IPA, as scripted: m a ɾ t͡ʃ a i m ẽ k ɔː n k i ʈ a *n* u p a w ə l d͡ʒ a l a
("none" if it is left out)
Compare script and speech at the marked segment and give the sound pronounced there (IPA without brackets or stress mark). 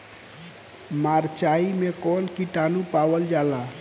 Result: n